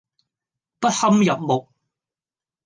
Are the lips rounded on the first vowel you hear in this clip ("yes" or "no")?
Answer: no